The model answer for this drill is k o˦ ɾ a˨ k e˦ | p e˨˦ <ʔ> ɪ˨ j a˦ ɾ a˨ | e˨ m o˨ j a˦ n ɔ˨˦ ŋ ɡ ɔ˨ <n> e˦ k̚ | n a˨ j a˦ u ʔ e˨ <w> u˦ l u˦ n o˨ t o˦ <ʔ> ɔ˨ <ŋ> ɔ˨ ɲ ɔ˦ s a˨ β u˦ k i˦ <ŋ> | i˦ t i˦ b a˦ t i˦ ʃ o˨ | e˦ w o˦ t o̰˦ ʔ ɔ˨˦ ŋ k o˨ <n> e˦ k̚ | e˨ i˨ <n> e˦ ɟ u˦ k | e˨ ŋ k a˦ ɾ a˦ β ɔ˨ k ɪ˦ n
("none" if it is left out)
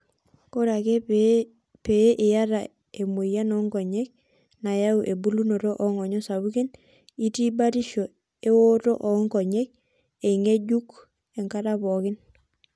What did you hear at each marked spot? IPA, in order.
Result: ʔ, ɲ, b, ʔ, ŋ, n, ɲ, ŋ

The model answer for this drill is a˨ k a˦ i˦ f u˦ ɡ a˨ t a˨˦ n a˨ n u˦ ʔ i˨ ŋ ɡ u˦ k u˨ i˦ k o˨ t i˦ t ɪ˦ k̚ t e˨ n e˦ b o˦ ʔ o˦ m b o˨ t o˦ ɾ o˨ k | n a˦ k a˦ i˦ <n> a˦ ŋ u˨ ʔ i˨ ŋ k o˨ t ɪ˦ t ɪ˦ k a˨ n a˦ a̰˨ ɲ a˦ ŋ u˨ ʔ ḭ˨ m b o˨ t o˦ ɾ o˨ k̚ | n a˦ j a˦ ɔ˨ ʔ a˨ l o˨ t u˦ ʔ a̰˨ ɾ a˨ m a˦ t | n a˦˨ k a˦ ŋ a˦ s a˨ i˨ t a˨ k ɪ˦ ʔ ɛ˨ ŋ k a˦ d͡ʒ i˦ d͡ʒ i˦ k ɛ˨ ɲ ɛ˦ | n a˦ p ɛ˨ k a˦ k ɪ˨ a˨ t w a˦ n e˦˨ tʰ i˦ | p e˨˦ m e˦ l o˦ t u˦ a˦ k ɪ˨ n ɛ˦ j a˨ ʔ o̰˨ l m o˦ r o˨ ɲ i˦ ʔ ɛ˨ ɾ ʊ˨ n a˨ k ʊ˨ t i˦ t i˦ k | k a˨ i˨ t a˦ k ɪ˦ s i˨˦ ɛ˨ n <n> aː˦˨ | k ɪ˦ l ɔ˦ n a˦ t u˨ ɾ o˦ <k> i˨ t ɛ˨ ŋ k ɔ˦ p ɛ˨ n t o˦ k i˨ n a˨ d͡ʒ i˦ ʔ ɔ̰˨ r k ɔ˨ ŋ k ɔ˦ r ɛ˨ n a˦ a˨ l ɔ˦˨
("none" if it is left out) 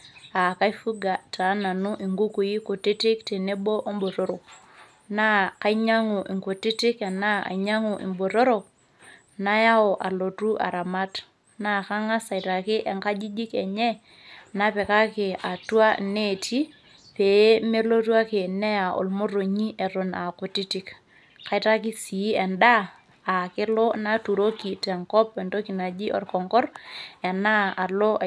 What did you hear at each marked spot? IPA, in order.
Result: ɲ, d, k

